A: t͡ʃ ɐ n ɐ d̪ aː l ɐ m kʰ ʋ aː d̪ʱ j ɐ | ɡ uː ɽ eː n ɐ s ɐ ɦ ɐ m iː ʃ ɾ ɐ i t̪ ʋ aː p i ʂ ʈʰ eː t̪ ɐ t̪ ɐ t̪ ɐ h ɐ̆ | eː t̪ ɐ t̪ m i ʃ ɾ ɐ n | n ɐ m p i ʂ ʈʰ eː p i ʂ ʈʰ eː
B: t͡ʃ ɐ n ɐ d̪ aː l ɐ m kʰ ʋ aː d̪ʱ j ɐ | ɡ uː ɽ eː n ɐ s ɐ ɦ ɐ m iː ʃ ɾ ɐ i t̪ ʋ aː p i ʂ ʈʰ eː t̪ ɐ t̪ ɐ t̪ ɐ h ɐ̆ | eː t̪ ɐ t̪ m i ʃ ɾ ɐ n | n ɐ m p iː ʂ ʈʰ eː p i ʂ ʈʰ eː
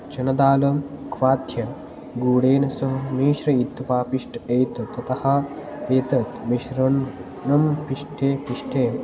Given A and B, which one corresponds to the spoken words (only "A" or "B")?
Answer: A